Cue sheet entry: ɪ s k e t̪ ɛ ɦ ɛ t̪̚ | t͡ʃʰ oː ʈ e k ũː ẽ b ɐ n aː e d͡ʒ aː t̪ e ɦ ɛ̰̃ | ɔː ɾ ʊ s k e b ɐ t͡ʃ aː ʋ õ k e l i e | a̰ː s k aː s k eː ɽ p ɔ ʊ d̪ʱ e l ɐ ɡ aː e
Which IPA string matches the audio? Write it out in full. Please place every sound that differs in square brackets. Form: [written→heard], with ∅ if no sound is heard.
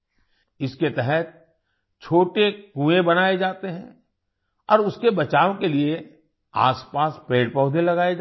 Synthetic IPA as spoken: ɪ s k e t̪ ɛ ɦ ɛ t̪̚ | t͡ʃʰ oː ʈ e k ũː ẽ b ɐ n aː e d͡ʒ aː t̪ e ɦ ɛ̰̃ | ɔː ɾ ʊ s k e b ɐ t͡ʃ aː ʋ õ k e l i e | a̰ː s [k→p] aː s [k→p] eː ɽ p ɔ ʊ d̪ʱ e l ɐ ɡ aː e